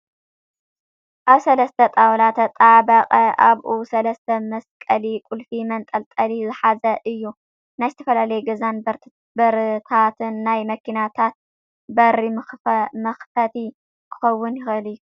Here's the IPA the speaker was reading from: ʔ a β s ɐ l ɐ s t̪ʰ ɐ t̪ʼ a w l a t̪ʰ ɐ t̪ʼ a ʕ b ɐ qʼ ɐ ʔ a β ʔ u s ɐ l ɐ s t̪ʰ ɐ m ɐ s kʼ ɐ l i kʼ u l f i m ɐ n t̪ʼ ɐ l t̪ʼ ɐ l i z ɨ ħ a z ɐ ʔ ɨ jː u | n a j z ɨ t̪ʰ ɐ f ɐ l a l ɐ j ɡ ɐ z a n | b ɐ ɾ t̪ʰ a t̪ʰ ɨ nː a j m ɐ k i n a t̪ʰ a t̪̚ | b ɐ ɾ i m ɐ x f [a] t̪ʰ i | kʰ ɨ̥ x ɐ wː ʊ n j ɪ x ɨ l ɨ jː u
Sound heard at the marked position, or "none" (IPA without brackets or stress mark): ɐ